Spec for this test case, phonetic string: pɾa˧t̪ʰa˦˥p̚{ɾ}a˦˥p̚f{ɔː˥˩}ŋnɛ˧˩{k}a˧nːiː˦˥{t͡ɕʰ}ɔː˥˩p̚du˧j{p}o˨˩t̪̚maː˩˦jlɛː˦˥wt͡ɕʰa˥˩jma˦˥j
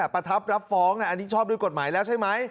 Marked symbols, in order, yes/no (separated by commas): yes, no, no, yes, no